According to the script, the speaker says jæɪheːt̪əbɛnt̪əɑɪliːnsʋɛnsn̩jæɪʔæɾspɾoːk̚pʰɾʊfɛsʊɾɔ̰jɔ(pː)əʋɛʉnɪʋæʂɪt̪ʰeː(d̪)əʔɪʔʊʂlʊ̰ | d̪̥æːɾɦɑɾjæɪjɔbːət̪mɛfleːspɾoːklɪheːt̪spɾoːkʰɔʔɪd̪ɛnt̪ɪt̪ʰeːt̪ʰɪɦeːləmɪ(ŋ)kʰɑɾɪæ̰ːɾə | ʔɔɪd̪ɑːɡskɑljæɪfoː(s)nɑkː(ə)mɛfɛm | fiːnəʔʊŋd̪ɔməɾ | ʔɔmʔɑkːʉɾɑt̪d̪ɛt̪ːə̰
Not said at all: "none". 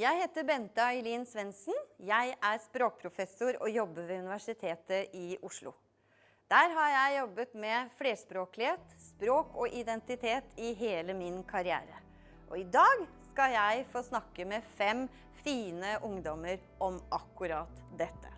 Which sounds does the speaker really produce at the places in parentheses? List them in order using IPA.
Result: bː, t̪, n, s, ə

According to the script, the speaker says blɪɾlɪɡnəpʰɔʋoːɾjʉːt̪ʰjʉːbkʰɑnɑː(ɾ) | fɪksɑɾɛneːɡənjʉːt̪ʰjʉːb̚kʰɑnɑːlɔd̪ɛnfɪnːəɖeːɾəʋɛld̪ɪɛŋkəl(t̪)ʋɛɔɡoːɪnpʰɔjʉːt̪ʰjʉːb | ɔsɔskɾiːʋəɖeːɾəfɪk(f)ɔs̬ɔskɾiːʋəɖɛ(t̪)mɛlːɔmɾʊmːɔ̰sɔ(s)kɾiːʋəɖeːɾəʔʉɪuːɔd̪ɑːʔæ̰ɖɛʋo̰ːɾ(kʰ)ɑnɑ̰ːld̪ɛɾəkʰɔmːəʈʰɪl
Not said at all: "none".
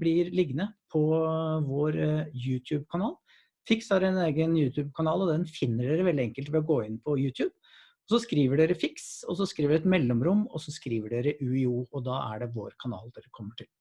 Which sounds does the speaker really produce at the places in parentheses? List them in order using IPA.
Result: l, t̪, s, t̪, s, kʰ

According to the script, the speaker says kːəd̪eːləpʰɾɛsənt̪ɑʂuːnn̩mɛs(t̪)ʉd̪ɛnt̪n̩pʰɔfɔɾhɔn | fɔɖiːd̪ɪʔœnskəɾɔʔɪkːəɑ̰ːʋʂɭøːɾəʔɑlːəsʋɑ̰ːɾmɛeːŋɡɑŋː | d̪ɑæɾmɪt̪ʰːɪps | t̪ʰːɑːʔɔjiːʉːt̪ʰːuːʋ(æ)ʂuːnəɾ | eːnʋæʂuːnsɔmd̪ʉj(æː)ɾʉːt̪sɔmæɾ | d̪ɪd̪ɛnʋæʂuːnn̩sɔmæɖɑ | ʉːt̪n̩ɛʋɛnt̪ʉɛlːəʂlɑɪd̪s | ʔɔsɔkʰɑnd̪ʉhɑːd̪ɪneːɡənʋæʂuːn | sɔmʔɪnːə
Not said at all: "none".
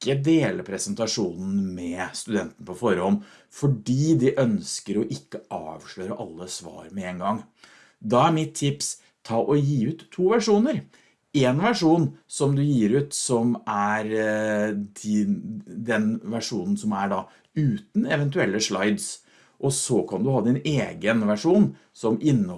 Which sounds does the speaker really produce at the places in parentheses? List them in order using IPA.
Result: t̪, æ, iː

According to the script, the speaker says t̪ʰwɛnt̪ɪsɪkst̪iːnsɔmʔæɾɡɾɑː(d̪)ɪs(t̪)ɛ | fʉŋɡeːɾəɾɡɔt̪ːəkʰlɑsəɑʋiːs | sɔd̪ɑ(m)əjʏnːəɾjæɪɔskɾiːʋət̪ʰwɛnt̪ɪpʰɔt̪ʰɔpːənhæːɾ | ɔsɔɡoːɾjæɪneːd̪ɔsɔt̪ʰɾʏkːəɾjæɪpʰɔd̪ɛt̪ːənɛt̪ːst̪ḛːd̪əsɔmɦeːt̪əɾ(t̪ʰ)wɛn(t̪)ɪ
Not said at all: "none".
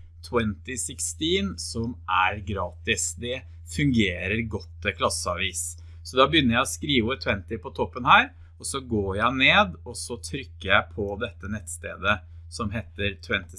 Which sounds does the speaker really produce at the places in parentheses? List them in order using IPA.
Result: t̪, d̪, b, t̪ʰ, t̪

